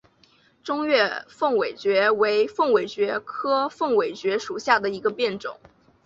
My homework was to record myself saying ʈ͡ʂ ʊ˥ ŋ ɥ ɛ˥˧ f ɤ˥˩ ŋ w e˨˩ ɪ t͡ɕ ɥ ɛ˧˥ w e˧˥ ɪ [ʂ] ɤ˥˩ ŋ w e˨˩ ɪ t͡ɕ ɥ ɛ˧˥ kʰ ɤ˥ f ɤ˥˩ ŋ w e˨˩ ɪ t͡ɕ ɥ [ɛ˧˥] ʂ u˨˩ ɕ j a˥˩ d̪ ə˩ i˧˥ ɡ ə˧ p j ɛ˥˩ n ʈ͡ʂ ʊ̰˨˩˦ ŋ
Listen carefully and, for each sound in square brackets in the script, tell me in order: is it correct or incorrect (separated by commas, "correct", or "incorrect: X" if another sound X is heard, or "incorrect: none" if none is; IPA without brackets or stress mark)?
incorrect: f, correct